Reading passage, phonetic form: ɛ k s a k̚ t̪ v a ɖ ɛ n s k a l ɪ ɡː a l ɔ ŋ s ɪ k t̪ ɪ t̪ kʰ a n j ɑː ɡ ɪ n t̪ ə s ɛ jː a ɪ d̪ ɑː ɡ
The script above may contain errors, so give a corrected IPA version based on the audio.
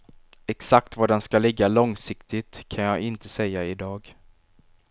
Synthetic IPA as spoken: ɛ k s a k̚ t̪ v a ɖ ɛ n s k a l ɪ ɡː a l ɔ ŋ s ɪ k t̪ ɪ t̪ kʰ a n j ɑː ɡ ɪ n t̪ ə s ɛ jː a ɪ d̪ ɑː ɡ